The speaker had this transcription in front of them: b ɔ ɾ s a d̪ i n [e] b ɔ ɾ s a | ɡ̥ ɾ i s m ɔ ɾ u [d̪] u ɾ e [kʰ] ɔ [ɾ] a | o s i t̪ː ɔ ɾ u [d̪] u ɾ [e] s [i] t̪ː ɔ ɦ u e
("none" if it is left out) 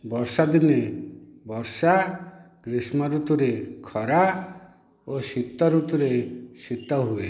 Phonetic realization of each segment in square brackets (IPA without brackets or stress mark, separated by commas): e, t̪, kʰ, ɾ, t̪, e, i